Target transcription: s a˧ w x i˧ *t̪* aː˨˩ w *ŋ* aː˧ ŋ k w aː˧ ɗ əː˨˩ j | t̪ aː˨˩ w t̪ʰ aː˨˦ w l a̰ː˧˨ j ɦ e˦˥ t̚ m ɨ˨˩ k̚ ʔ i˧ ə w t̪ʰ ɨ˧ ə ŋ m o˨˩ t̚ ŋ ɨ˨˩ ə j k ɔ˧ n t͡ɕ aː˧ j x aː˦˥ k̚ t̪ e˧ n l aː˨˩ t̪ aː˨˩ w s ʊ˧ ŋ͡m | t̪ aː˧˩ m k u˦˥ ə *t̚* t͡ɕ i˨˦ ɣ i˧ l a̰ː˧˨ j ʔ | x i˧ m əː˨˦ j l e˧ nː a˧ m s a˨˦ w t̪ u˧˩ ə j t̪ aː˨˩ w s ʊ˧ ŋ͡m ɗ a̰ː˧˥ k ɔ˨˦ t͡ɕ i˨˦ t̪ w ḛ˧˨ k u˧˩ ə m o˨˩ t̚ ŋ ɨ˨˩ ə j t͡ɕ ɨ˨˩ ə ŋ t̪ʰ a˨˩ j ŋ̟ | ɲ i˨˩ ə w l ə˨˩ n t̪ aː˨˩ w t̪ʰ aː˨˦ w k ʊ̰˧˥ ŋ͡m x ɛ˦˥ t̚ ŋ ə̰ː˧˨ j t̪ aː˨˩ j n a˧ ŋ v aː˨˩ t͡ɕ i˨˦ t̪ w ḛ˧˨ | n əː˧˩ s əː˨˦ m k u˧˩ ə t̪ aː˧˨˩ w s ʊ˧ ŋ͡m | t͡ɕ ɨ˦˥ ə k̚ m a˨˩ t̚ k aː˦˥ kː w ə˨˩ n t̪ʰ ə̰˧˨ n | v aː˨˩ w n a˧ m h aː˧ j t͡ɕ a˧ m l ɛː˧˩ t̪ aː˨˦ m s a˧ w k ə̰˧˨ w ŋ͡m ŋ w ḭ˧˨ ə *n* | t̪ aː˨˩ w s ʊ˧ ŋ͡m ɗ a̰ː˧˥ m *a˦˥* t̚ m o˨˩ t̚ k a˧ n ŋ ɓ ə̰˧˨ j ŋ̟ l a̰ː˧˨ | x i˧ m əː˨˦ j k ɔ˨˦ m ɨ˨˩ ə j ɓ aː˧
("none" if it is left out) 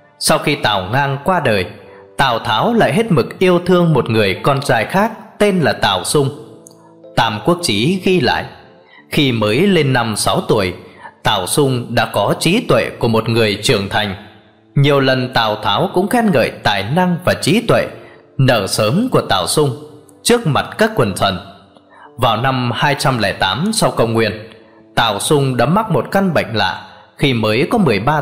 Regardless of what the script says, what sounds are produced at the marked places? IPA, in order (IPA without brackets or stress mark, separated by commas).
t̪, ŋ, k̚, n, a˦˥